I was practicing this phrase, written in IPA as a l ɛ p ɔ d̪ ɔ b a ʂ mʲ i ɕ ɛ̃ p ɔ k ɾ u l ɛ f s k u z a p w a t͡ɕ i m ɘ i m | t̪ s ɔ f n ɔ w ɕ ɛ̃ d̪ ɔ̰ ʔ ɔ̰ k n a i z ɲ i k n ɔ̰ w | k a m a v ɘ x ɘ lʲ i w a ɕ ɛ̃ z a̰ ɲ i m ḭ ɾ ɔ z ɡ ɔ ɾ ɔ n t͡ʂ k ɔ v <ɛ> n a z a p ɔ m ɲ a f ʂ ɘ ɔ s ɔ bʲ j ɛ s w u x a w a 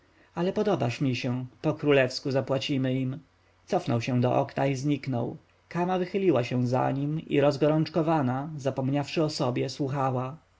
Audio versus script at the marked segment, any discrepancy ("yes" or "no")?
yes